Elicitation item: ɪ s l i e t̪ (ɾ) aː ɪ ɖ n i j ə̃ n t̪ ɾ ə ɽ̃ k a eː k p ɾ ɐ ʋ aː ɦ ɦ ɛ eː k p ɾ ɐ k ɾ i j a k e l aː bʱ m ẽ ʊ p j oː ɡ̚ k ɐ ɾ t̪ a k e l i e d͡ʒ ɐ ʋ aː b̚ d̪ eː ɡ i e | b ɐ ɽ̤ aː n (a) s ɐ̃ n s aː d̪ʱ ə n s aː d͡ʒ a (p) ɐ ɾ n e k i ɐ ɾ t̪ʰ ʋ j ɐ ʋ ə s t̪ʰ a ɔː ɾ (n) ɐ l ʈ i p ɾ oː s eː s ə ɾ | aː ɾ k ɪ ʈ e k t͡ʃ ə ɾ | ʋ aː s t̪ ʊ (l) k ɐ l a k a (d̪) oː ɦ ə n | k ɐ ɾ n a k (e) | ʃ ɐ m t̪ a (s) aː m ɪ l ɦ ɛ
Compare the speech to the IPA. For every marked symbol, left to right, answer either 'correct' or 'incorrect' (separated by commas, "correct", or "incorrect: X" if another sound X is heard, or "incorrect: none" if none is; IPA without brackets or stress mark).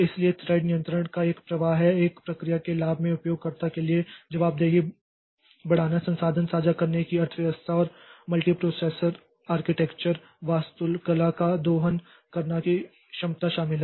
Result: correct, correct, incorrect: k, incorrect: m, correct, correct, incorrect: i, incorrect: ʃ